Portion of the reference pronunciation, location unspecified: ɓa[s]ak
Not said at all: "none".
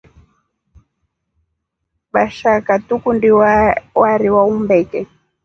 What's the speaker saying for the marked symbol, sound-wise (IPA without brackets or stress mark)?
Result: ʃ